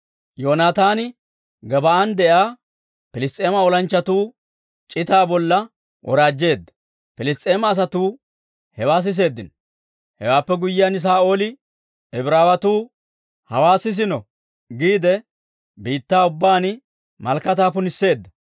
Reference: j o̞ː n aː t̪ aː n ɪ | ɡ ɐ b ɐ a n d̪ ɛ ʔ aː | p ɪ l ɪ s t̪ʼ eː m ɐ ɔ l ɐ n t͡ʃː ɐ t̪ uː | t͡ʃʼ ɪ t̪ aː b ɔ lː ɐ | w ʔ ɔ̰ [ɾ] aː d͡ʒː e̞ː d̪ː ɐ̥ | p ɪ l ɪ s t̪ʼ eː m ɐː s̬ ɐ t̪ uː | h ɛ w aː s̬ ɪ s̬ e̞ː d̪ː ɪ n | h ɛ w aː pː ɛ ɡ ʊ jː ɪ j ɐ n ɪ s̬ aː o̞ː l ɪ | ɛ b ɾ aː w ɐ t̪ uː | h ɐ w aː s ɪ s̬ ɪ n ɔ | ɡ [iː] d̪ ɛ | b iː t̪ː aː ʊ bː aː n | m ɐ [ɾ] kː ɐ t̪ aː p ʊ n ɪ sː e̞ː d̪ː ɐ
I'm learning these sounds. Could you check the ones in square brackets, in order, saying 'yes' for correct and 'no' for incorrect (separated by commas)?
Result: yes, yes, no